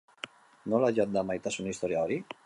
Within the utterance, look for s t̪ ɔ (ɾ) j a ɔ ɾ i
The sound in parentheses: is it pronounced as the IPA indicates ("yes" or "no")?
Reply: yes